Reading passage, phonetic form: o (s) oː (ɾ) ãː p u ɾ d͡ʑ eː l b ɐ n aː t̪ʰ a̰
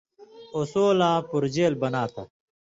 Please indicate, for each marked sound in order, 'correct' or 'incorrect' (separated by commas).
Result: correct, incorrect